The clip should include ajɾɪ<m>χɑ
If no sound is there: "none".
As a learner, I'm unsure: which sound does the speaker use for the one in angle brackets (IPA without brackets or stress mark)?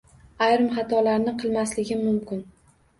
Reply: m